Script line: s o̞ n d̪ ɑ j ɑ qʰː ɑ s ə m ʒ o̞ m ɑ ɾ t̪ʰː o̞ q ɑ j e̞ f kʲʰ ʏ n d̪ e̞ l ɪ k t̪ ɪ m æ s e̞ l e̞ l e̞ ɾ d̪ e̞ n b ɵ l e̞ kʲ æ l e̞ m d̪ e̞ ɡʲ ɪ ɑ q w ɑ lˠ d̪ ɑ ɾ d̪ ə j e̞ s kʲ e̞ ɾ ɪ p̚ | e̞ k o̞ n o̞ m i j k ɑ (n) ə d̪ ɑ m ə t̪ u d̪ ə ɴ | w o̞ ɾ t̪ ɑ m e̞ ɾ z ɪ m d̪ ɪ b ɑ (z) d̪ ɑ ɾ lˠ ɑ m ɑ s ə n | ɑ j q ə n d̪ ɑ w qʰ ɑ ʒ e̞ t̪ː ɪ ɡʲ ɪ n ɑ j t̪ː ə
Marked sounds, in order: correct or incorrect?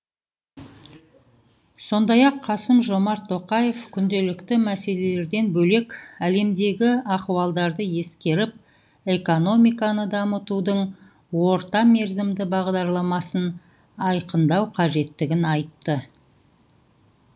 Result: correct, incorrect

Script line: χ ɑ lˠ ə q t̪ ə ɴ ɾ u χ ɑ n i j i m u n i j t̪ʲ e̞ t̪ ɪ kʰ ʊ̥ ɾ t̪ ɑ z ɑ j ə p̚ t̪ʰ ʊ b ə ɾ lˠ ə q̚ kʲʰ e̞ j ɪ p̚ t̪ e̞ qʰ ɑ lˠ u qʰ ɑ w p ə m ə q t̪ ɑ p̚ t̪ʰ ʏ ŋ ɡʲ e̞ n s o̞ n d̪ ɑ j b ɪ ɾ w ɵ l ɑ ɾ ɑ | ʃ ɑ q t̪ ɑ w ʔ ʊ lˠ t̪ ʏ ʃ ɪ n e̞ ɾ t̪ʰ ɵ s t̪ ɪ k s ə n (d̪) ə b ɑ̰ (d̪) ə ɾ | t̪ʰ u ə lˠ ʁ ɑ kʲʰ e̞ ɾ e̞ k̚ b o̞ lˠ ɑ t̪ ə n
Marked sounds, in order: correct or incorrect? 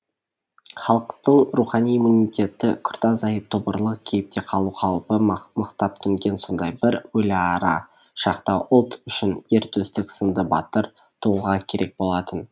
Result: correct, incorrect

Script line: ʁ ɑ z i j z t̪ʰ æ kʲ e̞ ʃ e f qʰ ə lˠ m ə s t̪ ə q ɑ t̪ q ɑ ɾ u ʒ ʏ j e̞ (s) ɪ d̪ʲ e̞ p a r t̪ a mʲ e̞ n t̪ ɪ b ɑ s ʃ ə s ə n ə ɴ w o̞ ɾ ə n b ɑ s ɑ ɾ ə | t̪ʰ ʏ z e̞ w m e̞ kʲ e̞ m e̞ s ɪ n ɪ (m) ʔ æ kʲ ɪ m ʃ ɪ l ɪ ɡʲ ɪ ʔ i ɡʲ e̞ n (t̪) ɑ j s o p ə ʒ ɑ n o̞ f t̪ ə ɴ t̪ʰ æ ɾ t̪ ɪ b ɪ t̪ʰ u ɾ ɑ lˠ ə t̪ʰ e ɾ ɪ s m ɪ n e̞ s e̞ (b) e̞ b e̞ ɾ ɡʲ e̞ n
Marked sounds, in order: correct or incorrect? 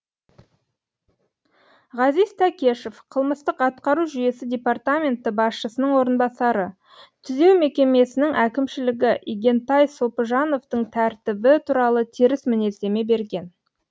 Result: correct, incorrect, correct, incorrect

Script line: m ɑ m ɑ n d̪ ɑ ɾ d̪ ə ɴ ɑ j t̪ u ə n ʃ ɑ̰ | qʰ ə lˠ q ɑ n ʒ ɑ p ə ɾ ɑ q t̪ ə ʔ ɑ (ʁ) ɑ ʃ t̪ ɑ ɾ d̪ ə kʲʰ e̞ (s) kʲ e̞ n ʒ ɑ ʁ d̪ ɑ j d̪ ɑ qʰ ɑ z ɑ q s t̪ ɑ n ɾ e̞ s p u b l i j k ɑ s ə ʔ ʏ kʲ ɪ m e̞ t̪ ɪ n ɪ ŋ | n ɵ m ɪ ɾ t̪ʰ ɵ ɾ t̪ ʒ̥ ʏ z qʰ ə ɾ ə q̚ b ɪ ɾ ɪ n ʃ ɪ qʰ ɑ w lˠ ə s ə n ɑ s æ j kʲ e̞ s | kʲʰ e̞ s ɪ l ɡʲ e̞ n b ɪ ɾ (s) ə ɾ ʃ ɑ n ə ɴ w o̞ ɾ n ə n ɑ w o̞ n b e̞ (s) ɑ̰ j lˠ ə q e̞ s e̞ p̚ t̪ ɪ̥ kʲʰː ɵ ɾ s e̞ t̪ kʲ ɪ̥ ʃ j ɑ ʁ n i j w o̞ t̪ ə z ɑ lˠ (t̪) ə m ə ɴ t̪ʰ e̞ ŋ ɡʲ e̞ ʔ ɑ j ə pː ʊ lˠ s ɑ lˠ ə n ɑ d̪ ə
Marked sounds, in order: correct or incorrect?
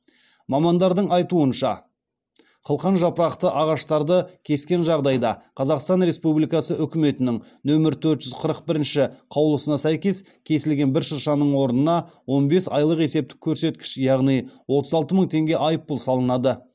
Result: correct, correct, incorrect, correct, correct

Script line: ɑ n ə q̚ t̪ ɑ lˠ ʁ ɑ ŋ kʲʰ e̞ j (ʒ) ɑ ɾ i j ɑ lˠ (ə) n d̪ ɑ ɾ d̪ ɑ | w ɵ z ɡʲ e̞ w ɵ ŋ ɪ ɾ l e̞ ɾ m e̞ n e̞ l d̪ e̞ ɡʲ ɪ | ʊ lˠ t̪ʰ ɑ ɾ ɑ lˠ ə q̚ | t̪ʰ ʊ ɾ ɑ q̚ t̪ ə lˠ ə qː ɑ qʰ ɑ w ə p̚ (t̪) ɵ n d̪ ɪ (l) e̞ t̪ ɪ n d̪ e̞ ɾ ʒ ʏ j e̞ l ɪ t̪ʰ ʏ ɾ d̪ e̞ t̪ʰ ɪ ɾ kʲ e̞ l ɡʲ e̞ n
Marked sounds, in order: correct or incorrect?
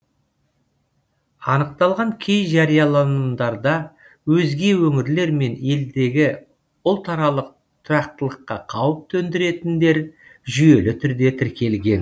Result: correct, incorrect, incorrect, incorrect

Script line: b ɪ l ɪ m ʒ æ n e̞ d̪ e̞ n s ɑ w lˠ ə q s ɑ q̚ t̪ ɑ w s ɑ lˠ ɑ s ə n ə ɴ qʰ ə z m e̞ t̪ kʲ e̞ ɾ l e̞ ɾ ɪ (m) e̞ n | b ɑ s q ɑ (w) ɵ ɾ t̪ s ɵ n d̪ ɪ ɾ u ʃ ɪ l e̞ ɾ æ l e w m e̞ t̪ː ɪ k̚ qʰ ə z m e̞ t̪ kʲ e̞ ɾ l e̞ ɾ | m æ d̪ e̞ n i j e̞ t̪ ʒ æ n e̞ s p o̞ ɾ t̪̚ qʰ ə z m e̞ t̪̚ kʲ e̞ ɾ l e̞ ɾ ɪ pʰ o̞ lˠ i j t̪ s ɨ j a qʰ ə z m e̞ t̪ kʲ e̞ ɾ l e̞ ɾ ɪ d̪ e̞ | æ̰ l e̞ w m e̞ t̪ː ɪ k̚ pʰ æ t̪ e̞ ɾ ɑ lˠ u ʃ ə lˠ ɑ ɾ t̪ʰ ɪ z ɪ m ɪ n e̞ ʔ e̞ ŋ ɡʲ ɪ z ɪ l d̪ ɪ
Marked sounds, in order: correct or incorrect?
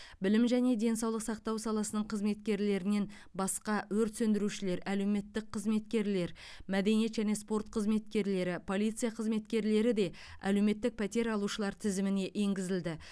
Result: incorrect, correct

